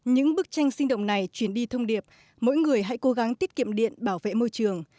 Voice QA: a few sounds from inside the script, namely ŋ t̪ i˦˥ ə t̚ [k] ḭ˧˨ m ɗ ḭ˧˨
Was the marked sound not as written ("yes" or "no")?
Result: no